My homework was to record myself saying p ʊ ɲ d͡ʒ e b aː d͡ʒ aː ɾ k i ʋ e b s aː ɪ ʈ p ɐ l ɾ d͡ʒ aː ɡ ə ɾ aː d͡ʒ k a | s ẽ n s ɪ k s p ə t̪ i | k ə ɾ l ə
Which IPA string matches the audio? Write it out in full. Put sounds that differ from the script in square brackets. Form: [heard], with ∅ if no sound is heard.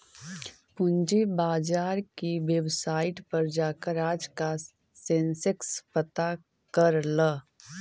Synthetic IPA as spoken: p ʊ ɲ d͡ʒ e b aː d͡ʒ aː ɾ k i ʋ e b s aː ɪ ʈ p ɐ [∅] ɾ d͡ʒ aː [k] ə ɾ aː d͡ʒ k a | s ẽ n s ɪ k s p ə t̪ [a] | k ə ɾ l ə